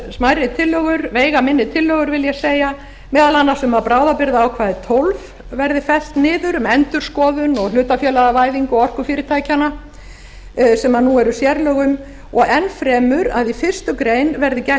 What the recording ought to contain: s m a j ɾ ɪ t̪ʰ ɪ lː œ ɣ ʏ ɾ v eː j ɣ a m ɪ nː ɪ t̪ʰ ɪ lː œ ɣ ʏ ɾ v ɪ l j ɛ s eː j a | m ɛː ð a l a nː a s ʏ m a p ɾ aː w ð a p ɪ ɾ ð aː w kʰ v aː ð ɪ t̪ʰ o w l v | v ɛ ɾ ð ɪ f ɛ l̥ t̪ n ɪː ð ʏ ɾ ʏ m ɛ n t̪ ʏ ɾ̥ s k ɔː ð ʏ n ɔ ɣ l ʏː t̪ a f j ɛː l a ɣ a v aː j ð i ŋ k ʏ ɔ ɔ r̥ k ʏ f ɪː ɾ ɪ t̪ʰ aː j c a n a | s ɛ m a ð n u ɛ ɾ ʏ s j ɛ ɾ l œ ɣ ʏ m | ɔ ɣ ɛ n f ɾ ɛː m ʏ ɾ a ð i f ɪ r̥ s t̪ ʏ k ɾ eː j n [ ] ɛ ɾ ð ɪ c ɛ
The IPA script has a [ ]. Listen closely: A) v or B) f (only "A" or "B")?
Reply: A